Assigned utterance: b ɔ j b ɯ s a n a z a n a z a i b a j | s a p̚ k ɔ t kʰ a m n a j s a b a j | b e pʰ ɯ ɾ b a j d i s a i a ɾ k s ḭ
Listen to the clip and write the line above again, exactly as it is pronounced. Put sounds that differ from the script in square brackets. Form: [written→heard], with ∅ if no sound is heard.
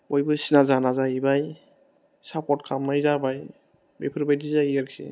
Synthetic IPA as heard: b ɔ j b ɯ s [a→i] n a z a n a z a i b a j | s a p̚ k ɔ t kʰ a m n a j [s→z] a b a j | b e pʰ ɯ ɾ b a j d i [s→z] a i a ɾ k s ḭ